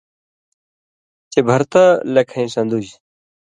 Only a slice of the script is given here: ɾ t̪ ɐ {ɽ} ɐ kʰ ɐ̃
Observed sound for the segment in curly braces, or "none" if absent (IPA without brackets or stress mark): l